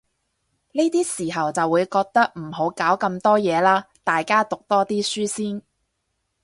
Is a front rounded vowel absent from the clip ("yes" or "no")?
no